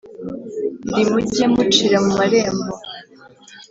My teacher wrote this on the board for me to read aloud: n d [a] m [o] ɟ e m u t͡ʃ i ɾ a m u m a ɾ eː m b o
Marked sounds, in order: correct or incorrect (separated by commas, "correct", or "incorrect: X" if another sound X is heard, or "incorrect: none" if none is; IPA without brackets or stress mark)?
incorrect: i, incorrect: u